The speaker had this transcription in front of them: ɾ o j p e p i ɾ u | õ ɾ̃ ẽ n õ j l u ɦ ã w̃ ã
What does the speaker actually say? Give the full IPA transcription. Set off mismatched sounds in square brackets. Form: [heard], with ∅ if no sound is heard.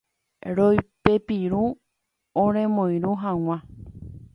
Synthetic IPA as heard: ɾ o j p e p i ɾ u | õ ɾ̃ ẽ [m] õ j [ɾ] u ɦ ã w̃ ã